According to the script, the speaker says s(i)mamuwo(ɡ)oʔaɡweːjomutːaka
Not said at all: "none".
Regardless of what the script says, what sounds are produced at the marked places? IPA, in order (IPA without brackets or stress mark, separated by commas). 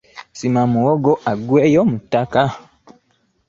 i, ɡ